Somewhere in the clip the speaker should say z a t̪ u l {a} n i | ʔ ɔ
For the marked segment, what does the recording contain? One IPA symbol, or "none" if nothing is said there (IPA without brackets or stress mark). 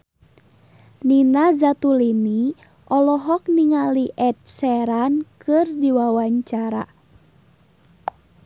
i